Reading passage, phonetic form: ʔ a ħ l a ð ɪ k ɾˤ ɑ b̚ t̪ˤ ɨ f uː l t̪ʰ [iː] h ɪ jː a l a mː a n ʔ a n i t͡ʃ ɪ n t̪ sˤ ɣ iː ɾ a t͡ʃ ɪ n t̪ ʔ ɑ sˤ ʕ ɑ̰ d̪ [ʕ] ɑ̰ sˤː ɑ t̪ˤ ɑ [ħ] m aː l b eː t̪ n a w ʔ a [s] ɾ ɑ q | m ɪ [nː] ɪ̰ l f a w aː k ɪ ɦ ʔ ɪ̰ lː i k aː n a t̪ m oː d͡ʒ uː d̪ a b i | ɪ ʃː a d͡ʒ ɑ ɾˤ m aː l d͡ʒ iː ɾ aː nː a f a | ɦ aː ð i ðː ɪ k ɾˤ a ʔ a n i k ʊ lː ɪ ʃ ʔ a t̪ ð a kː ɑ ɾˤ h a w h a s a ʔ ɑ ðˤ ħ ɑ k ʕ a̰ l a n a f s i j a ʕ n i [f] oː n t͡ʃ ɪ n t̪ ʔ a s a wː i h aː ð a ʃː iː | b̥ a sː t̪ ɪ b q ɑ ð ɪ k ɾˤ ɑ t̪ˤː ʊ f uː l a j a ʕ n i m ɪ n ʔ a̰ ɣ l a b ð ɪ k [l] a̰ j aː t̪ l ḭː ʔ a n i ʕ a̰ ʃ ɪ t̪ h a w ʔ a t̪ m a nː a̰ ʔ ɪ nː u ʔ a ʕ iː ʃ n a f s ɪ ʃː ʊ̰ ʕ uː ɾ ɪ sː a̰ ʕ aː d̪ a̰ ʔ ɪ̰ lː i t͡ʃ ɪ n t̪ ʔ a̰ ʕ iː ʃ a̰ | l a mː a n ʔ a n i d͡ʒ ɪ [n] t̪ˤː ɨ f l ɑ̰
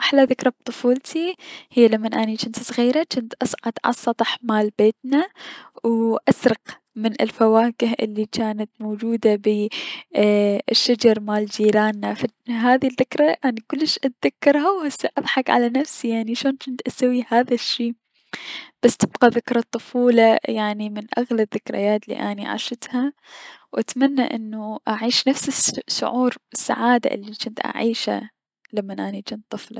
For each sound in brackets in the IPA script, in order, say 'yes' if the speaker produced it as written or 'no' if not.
no, yes, yes, yes, no, no, no, yes

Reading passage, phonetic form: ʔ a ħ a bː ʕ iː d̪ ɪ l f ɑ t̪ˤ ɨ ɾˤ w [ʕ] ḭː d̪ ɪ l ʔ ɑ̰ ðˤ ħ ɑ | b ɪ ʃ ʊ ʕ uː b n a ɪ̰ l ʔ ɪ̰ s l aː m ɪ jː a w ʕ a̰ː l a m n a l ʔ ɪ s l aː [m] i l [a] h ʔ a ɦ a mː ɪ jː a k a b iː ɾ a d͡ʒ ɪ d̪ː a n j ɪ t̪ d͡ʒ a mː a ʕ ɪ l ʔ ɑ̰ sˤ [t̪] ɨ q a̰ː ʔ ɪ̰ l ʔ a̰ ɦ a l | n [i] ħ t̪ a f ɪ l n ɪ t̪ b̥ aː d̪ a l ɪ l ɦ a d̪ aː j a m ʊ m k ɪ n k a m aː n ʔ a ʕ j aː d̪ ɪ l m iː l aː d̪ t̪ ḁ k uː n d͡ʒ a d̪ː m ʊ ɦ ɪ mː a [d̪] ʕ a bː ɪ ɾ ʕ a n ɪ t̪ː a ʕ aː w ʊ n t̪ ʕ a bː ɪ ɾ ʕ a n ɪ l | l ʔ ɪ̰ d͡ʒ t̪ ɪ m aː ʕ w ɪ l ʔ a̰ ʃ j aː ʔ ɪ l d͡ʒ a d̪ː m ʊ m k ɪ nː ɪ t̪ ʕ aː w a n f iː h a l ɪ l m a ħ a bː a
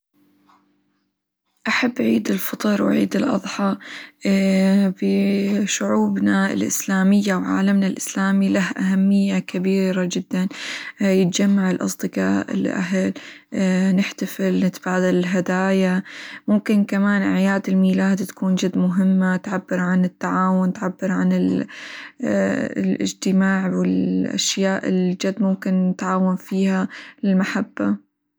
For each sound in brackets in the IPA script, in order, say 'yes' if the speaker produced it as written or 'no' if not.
yes, yes, yes, no, no, no

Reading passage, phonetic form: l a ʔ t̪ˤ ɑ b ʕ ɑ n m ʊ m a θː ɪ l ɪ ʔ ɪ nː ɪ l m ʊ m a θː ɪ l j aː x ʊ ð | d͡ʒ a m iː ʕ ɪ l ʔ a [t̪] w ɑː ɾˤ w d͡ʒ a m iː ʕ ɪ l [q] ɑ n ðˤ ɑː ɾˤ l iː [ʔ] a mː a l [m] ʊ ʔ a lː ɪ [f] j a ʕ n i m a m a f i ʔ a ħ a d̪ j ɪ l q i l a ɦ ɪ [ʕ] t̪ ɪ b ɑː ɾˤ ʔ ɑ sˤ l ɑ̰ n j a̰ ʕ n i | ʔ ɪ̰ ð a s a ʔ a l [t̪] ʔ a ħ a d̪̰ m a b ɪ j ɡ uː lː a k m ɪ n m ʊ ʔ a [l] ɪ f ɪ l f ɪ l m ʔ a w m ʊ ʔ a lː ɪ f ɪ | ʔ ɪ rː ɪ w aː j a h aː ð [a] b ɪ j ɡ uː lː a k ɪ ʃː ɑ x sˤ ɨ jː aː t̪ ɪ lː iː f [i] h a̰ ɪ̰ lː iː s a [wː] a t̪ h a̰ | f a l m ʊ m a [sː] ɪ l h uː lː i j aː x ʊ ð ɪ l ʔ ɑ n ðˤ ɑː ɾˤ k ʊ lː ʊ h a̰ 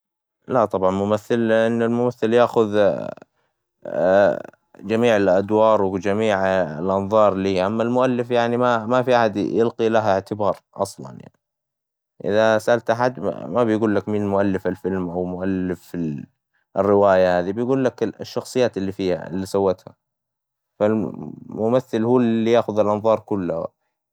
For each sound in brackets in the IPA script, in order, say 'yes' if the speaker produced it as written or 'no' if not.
no, no, yes, yes, yes, yes, yes, no, no, no, yes, no

